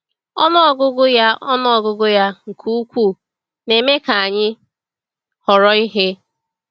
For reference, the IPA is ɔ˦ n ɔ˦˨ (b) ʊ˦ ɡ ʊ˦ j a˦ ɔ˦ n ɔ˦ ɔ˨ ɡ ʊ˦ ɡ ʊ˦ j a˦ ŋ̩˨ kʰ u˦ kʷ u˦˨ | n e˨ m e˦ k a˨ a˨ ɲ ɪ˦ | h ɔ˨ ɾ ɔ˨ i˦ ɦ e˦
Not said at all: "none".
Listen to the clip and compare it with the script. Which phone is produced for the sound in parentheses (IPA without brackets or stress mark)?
ɡ